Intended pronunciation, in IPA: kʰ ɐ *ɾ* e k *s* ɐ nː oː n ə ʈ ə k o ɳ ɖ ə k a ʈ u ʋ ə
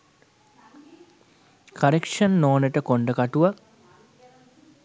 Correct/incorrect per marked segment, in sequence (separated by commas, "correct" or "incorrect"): correct, incorrect